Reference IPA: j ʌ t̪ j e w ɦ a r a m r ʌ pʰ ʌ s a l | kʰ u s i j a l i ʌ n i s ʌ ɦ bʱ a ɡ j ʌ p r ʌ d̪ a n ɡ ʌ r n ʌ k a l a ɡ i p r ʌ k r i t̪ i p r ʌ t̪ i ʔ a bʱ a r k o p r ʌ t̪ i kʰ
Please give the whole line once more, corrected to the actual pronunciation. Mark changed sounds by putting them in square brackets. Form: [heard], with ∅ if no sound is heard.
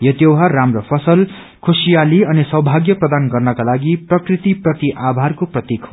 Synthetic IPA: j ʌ t̪ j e w ɦ a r a m r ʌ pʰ ʌ s [ʌ] l | kʰ u s i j a l i ʌ n i s ʌ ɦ bʱ a ɡ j ʌ p r ʌ d̪ a n ɡ ʌ r n ʌ k a l a ɡ i p r ʌ k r i t̪ i p r ʌ t̪ i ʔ a bʱ a r k o p r ʌ t̪ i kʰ